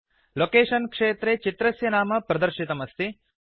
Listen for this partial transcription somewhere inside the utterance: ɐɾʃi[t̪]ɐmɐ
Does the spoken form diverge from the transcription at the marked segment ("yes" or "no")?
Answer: no